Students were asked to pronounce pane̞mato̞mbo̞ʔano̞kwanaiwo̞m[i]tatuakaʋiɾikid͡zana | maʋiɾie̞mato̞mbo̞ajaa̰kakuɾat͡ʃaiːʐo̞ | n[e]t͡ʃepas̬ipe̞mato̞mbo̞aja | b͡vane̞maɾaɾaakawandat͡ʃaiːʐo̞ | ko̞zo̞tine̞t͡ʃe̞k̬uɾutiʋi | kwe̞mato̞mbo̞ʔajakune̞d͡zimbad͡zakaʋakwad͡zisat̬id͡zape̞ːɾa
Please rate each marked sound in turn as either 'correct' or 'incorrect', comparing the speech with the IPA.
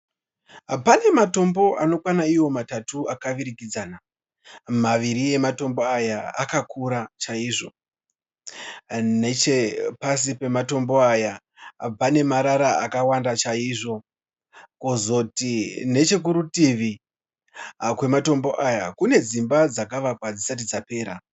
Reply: incorrect: a, correct

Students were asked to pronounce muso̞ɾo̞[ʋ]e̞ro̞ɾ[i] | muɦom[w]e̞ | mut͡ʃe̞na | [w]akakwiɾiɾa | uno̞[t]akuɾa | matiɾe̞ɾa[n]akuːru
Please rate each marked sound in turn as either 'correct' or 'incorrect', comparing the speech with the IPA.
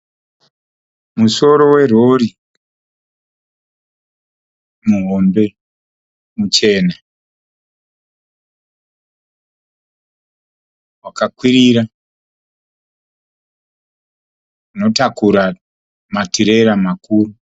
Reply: incorrect: w, correct, incorrect: b, correct, correct, incorrect: m

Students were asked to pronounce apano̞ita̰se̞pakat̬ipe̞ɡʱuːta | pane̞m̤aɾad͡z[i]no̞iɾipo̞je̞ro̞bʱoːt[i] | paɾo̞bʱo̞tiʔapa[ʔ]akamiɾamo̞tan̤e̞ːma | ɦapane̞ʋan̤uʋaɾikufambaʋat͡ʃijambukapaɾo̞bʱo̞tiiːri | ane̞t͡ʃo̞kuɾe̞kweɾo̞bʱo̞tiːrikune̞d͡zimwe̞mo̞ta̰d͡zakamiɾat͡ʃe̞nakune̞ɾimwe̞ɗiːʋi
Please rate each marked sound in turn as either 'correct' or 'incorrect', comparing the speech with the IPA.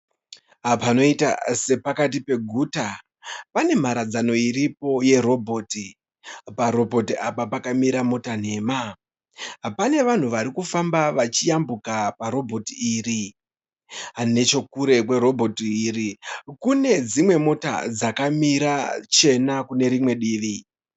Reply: incorrect: a, correct, incorrect: p

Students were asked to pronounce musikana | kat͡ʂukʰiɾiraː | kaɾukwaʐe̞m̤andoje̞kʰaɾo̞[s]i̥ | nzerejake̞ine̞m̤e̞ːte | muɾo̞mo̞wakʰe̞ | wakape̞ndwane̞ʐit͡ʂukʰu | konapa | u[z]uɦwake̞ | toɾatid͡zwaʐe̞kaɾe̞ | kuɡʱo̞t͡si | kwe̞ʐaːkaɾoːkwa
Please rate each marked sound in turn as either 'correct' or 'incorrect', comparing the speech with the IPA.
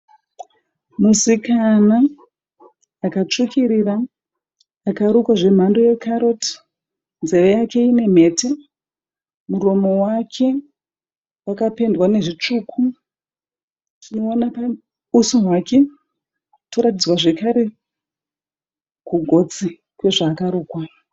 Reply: incorrect: t, incorrect: s

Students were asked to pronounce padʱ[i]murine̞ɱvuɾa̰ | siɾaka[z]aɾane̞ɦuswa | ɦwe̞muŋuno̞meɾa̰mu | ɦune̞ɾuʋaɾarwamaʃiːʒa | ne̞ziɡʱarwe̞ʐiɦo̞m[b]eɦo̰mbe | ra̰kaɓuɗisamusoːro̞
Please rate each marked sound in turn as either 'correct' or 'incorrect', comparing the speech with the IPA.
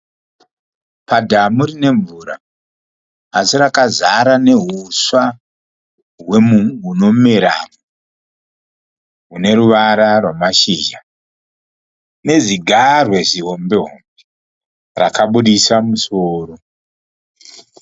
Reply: incorrect: a, correct, correct

